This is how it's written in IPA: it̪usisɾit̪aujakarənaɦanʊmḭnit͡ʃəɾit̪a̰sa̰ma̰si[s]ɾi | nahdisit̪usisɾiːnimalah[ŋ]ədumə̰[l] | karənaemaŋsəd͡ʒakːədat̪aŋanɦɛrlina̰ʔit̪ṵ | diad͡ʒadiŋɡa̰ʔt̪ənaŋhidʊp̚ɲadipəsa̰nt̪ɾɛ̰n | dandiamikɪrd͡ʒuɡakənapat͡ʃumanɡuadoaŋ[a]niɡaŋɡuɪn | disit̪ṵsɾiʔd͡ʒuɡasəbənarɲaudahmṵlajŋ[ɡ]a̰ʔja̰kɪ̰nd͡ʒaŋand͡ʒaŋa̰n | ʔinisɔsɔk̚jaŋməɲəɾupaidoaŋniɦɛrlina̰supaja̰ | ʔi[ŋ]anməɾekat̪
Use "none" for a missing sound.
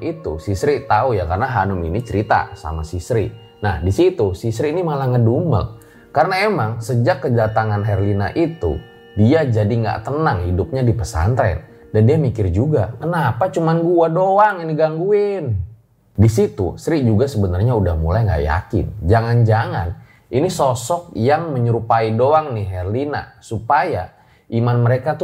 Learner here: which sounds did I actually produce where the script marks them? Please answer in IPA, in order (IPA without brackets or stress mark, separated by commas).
s, ŋ, l, i, ɡ, m